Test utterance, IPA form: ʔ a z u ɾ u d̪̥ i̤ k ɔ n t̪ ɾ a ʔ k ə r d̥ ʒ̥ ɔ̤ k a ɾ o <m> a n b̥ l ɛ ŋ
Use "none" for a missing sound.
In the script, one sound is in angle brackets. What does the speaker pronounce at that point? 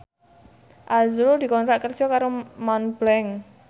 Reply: m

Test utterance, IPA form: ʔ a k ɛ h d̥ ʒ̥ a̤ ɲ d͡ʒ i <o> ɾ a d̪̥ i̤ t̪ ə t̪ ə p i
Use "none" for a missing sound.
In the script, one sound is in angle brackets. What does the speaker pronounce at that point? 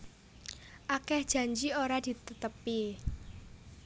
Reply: o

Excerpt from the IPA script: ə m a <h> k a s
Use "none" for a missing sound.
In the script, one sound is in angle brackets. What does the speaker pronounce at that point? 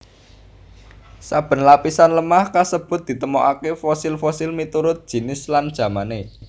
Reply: h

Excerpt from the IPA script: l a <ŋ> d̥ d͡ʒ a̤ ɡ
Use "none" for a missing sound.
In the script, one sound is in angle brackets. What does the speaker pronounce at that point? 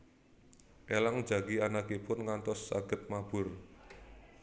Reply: ŋ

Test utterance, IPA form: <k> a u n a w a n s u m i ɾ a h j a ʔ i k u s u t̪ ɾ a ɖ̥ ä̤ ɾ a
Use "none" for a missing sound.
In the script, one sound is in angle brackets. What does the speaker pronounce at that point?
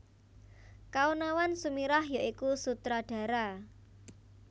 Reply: k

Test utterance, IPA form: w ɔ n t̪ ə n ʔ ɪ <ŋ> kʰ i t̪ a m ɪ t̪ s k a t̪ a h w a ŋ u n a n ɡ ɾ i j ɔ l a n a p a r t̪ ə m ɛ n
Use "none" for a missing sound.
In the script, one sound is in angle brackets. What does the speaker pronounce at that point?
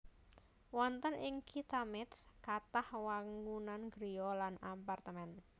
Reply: ŋ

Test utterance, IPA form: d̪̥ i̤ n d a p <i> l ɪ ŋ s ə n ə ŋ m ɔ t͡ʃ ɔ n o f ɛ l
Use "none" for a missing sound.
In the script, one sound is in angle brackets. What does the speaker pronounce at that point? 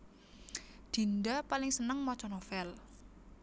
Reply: a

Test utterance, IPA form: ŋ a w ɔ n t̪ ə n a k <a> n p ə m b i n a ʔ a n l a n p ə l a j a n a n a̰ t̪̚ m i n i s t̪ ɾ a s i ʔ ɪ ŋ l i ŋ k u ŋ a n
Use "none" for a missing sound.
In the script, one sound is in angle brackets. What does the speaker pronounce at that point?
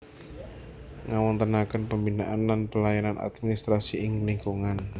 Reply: ə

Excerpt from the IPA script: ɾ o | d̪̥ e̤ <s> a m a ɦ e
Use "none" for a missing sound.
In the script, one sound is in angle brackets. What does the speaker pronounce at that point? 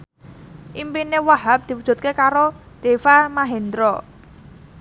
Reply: f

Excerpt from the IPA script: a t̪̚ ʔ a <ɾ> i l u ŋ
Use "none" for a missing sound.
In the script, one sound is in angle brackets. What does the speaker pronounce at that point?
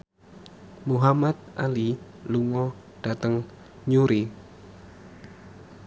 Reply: l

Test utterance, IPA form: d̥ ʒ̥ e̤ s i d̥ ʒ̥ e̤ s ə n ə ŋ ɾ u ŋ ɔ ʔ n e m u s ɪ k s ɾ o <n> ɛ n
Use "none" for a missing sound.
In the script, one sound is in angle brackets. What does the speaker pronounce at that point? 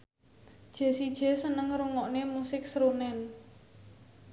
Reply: n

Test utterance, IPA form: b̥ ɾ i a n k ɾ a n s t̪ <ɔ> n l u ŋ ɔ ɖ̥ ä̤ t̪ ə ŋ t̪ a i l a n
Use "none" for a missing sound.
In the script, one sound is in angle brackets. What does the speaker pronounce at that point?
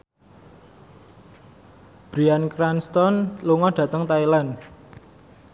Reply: ɔ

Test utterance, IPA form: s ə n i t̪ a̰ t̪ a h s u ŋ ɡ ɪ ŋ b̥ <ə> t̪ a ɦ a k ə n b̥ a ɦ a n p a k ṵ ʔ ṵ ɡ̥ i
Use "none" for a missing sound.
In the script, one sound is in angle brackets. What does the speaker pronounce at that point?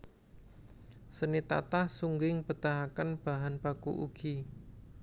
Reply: ə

